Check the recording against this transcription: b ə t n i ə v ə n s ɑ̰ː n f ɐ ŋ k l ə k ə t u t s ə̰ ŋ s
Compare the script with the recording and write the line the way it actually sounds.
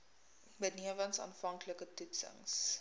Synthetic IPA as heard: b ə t n i ə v ə n s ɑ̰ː n f ɐ ŋ k l ə k ə t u t s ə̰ ŋ s